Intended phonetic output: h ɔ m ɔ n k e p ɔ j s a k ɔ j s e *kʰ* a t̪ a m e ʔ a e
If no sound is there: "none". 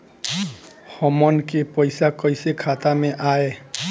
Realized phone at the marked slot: kʰ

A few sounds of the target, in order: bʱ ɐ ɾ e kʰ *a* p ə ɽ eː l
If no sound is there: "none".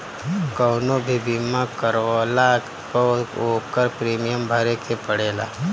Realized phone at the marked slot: e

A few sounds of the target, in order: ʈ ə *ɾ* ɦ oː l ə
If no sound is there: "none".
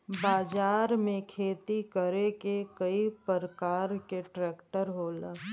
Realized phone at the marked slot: ɾ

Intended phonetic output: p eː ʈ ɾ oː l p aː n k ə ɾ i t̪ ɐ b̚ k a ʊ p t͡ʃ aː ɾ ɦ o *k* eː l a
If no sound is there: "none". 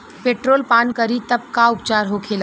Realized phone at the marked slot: kʰ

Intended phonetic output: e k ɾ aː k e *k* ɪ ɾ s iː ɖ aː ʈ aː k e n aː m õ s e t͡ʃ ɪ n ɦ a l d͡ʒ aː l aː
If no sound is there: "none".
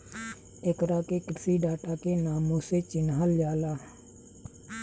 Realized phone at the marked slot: k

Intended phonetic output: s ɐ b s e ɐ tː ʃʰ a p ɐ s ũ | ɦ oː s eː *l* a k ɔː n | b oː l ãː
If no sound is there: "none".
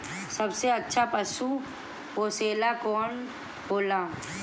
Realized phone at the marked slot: l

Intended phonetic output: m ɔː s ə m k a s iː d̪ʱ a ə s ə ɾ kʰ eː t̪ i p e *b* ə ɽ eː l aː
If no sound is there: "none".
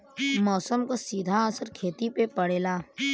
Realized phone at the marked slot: p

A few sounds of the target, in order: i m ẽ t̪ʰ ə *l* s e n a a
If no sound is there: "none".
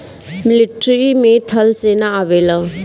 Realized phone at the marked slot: l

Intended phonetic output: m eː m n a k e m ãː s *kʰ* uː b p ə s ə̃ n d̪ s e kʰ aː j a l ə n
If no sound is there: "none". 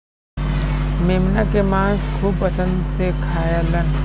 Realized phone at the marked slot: kʰ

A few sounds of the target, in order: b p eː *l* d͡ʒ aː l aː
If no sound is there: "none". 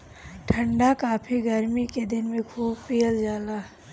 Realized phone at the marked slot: l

